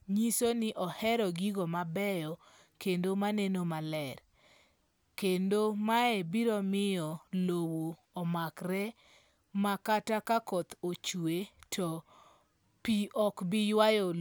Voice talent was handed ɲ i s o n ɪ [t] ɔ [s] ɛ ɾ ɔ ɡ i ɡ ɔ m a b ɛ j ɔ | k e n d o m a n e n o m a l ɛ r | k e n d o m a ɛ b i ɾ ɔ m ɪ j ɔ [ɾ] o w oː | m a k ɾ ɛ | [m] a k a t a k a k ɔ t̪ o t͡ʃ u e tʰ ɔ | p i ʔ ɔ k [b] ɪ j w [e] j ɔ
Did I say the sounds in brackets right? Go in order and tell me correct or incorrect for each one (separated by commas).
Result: incorrect, incorrect, incorrect, correct, correct, incorrect